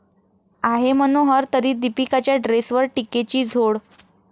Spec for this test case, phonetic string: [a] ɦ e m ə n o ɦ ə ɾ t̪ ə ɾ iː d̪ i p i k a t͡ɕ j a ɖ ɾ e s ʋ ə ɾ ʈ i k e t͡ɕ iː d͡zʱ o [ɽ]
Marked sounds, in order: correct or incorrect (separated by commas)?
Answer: correct, correct